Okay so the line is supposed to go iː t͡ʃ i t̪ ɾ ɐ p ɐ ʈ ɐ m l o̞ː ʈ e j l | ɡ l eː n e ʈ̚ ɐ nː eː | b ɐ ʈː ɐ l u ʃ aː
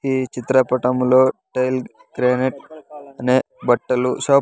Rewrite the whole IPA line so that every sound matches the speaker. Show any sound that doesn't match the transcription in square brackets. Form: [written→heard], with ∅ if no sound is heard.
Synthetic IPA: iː t͡ʃ i t̪ ɾ ɐ p ɐ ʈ ɐ m l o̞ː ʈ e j l | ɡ [l→ɾ] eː n e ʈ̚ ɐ [nː→n] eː | b ɐ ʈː ɐ l u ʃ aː

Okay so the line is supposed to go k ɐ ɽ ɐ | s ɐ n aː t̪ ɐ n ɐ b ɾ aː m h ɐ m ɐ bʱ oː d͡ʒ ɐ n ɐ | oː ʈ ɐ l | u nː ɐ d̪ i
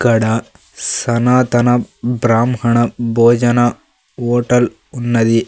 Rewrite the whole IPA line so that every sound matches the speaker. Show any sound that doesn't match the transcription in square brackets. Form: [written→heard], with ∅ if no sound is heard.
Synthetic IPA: k ɐ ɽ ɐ | s ɐ n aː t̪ ɐ n ɐ b ɾ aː m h ɐ [m→ɳ] ɐ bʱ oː d͡ʒ ɐ n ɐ | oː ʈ ɐ l | u nː ɐ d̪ i

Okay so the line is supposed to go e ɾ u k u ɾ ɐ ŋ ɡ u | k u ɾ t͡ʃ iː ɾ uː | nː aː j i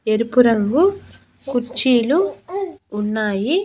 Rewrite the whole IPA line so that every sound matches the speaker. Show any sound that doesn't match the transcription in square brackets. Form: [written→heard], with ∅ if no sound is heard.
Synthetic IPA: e ɾ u [k→p] u ɾ ɐ ŋ ɡ u | k u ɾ t͡ʃ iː [ɾ→l] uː | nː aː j i

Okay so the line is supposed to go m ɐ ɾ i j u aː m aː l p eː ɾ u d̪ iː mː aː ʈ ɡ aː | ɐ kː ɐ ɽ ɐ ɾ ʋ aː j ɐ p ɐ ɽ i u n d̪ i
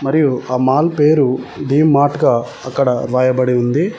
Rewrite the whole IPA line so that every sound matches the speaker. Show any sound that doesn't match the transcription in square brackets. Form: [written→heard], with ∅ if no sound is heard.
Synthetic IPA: m ɐ ɾ i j u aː m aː l p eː ɾ u d̪ iː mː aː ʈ ɡ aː | ɐ kː ɐ ɽ ɐ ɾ ʋ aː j ɐ [p→b] ɐ ɽ i u n d̪ i

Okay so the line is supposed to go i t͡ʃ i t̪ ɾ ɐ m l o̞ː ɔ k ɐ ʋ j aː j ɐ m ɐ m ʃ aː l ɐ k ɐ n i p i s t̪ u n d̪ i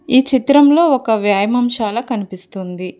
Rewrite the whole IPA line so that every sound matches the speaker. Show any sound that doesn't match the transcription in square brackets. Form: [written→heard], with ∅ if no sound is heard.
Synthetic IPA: [i→iː] t͡ʃ i t̪ ɾ ɐ m l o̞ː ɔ k ɐ ʋ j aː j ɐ m ɐ m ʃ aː l ɐ k ɐ n i p i s t̪ u n d̪ i

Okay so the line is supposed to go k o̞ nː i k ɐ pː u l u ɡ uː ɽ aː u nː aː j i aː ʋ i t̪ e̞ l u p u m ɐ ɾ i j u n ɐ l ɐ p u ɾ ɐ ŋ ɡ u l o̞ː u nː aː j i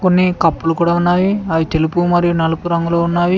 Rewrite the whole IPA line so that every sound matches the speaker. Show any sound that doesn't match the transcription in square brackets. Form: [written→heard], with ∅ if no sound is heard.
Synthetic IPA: k o̞ nː i k ɐ pː u l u [ɡ→k] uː ɽ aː u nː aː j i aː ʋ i t̪ e̞ l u p u m ɐ ɾ i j u n ɐ l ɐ p u ɾ ɐ ŋ ɡ u l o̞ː u nː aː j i

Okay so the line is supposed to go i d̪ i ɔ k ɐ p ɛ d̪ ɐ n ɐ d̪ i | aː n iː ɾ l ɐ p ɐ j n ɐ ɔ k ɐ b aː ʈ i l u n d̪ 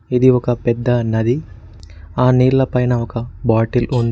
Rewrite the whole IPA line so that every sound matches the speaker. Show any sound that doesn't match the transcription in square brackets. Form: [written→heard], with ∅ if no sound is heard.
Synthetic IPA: i d̪ i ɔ k ɐ p ɛ [d̪→d̪ː] ɐ n ɐ d̪ i | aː n iː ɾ l ɐ p ɐ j n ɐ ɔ k ɐ b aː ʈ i l u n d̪

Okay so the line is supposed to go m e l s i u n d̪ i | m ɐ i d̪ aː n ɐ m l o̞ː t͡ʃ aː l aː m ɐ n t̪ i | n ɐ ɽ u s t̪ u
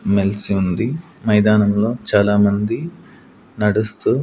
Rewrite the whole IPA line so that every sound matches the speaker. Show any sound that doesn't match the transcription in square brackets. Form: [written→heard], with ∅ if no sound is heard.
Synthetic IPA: m e l s i u n d̪ i | m ɐ [i→j] d̪ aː n ɐ m l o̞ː t͡ʃ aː l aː m ɐ n [t̪→d̪] i | n ɐ ɽ u s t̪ u

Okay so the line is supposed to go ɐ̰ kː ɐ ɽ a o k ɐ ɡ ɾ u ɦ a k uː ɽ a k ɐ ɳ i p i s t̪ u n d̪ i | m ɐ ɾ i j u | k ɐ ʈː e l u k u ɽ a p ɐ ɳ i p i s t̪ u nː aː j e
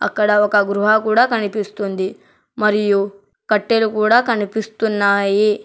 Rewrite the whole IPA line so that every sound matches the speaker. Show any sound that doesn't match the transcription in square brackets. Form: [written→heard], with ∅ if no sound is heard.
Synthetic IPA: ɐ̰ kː ɐ ɽ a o k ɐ ɡ ɾ u ɦ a k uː ɽ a k ɐ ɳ i p i s t̪ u n d̪ i | m ɐ ɾ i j u | k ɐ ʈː e l u k [u→uː] ɽ a [p→k] ɐ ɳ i p i s t̪ u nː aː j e

